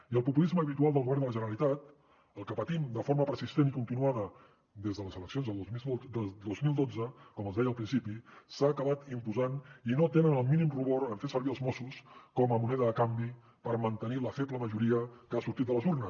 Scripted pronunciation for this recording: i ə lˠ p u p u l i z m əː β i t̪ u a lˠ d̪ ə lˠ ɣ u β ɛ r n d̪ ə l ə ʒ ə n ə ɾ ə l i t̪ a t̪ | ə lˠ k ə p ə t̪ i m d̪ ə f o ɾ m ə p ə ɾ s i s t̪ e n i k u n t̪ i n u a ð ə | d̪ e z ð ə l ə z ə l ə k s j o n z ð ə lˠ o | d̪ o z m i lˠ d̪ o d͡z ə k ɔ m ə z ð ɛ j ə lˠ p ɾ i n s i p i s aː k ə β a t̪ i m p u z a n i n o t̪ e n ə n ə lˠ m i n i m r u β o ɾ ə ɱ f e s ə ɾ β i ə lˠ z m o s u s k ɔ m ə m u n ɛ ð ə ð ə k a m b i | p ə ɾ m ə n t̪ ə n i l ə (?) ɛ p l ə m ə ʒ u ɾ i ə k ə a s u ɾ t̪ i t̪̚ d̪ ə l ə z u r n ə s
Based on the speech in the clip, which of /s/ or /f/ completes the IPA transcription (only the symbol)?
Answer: f